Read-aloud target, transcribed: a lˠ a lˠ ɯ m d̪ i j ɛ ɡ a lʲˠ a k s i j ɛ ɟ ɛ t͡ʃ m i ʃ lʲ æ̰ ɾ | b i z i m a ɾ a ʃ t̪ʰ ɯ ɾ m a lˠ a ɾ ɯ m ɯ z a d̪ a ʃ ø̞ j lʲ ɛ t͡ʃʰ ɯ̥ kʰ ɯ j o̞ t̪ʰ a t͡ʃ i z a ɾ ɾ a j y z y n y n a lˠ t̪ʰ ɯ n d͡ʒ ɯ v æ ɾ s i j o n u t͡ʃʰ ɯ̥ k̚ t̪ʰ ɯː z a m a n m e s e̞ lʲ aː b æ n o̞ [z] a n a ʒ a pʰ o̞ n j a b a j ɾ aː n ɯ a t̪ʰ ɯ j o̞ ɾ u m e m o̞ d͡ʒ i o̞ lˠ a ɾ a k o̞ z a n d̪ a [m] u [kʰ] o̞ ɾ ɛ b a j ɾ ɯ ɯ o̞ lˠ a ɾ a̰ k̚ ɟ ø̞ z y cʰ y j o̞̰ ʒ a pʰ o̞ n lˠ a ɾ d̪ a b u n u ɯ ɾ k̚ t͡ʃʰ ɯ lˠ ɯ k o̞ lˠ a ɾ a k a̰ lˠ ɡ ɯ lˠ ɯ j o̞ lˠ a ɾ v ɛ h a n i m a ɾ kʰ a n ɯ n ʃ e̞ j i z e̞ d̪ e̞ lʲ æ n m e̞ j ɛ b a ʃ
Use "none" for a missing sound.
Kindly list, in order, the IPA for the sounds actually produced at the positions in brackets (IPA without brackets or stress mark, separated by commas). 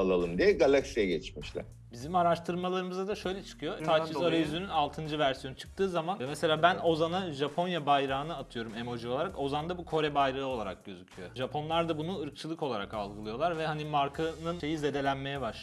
z, b, kʰ